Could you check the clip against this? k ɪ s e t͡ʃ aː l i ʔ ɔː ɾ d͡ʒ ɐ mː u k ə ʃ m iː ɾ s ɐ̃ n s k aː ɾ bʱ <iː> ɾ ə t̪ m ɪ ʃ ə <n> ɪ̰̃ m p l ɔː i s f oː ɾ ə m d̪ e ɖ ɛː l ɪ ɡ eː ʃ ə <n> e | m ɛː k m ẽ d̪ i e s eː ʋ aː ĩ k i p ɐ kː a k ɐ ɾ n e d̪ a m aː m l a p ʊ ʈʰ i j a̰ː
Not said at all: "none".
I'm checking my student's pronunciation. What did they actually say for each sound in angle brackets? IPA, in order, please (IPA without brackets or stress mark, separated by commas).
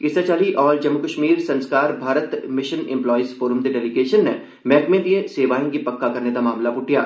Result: aː, n, nː